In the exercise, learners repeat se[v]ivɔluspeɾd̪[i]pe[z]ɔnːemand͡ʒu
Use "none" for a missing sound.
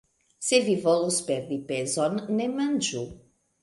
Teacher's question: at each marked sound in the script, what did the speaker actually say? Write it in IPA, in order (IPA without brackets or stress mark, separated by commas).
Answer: v, i, z